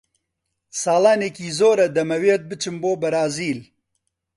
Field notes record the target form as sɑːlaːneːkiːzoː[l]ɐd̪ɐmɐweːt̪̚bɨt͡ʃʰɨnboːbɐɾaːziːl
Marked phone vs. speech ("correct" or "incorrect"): incorrect